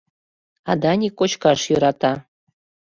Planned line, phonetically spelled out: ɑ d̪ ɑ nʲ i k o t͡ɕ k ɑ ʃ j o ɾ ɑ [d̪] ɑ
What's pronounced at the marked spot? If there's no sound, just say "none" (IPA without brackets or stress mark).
t̪